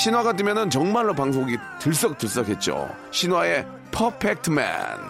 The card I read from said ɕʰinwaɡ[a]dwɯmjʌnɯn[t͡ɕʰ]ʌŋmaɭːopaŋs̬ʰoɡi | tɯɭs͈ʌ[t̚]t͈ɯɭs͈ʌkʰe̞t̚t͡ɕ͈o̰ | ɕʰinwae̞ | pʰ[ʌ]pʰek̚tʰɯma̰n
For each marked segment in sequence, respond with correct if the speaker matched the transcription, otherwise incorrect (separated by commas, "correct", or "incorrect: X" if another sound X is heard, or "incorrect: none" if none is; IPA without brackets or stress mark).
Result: correct, incorrect: t͡ɕ, incorrect: k̚, correct